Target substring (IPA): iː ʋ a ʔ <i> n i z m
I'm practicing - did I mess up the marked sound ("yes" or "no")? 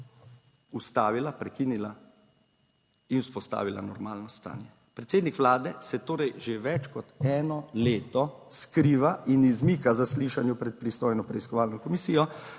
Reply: no